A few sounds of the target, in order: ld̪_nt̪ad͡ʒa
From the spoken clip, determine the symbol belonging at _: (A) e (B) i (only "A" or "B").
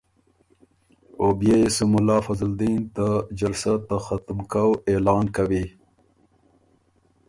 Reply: B